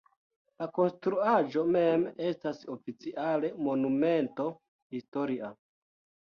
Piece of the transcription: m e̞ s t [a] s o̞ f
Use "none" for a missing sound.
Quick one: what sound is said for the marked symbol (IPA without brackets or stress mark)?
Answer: a